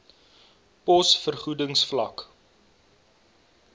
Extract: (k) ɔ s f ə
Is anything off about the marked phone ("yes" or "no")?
yes